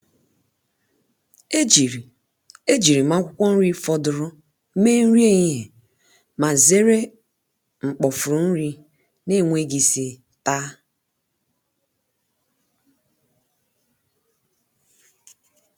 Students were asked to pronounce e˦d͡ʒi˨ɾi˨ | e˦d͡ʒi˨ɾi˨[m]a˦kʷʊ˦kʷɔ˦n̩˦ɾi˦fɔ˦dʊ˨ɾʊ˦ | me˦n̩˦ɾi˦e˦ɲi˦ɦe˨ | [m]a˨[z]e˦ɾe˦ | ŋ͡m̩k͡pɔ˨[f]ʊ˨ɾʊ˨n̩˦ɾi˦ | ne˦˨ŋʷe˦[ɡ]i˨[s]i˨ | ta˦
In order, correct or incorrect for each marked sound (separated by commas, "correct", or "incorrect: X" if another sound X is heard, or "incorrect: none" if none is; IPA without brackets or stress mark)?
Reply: correct, correct, correct, correct, correct, correct